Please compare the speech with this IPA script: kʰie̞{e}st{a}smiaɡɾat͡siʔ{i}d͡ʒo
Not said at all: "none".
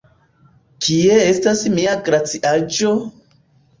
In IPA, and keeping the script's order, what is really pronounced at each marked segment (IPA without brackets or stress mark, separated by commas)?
e, a, a